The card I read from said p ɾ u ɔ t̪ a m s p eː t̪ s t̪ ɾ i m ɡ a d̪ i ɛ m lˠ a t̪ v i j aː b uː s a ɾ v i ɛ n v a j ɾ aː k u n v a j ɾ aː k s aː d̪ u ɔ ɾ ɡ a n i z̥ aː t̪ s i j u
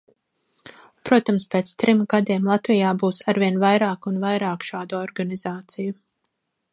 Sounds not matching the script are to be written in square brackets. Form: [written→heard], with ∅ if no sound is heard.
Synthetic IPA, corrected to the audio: p ɾ u ɔ t̪ a m s p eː t̪ s t̪ ɾ i m ɡ a d̪ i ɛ m lˠ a t̪ v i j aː b uː s a ɾ v i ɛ n v a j ɾ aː k u n v a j ɾ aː k [s→ʃ] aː d̪ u ɔ ɾ ɡ a n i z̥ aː t̪ s i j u